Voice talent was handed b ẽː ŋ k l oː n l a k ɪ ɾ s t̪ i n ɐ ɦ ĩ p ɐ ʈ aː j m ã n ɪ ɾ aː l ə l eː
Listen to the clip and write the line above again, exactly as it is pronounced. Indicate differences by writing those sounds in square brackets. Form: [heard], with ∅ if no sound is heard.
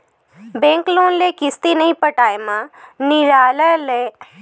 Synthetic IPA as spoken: b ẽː ŋ k l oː n l [e] k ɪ [∅] s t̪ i n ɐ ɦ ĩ p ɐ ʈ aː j m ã n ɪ ɾ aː l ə l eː